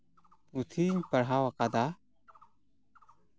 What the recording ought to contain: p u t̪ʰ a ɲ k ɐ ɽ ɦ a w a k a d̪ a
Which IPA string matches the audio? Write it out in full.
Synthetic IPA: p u t̪ʰ i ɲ p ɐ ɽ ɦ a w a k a d̪ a